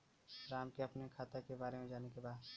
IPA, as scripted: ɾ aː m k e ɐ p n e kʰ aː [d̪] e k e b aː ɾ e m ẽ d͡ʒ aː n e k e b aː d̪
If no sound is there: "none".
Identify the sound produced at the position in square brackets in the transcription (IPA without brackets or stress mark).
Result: t̪